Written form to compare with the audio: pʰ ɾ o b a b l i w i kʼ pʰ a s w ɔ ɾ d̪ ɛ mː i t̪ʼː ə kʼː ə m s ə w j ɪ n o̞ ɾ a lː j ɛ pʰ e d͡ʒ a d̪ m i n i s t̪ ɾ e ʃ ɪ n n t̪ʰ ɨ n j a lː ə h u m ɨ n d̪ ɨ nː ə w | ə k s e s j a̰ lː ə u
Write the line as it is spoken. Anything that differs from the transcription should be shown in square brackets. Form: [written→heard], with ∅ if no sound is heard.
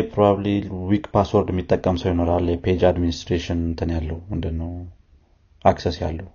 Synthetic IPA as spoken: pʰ ɾ o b a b l i w i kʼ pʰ a s w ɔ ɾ d̪ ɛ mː i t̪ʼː ə kʼː ə m s ə w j ɪ n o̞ ɾ a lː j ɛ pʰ e d͡ʒ a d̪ m i n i s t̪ ɾ e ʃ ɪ n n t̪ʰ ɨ n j a lː ə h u m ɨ n d̪ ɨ nː ə w | [ə→a] k s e s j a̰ lː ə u